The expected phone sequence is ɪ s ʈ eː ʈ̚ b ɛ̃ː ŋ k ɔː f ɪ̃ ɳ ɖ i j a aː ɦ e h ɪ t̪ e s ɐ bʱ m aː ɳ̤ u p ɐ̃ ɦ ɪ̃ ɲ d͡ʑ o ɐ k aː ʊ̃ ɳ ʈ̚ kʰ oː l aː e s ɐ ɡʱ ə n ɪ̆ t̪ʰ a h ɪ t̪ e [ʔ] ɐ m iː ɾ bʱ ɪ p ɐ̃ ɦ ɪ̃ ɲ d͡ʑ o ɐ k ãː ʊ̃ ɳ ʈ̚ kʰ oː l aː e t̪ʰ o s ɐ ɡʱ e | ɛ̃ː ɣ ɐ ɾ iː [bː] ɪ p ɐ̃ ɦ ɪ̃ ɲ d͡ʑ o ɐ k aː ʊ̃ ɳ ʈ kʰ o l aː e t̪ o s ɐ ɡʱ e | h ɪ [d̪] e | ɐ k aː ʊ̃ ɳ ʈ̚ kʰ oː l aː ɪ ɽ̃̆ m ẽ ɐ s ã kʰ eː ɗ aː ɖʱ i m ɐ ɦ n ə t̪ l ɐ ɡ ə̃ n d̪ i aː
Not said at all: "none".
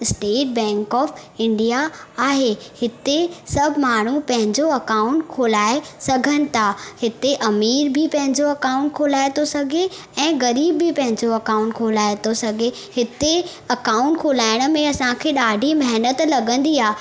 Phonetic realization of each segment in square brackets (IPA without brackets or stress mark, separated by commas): ʔ, bː, t̪